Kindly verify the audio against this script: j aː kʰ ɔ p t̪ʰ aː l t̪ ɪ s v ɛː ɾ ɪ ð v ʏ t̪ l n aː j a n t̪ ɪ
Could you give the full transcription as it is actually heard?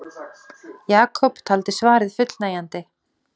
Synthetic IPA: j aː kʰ ɔ p t̪ʰ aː l t̪ ɪ s v aː ɾ ɪ ð f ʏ t̪ l n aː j a n t̪ ɪ